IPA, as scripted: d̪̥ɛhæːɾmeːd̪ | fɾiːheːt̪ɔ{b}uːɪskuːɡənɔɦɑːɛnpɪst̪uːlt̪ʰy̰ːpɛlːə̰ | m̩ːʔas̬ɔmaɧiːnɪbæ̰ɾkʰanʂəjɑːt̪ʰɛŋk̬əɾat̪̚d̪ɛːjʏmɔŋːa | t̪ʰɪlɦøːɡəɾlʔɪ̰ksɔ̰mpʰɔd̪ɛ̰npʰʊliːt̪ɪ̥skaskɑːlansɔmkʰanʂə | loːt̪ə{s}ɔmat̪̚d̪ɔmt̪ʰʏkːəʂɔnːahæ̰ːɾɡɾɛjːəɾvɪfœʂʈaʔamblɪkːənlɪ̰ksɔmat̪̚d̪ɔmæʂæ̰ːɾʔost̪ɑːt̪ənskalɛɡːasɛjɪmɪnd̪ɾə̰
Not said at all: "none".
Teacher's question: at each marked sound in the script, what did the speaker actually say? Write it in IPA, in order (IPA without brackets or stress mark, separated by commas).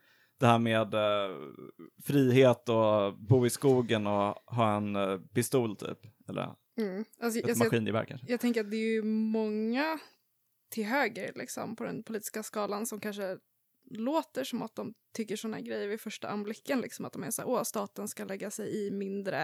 b, ʂ